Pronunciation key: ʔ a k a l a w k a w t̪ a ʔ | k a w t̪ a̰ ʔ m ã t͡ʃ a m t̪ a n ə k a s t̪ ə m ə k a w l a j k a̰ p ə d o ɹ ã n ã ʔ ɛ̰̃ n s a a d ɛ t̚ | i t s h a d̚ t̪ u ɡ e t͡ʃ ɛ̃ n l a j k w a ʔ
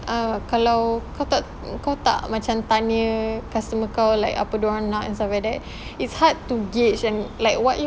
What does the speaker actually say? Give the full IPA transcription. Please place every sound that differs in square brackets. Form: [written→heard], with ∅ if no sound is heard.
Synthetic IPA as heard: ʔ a k a l a w k a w t̪ a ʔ | k a w t̪ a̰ ʔ m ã t͡ʃ a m t̪ a n ə k a s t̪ ə m ə k a w l a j k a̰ p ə d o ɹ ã n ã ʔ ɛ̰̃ n s a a d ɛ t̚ | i t s h a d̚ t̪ u ɡ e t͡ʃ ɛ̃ n l a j k w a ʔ